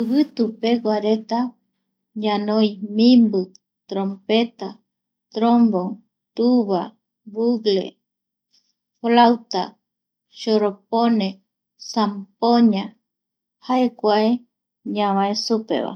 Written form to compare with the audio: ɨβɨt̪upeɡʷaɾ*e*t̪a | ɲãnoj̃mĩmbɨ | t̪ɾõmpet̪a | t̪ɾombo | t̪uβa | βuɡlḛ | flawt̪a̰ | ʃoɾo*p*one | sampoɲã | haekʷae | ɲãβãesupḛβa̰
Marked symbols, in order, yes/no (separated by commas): yes, yes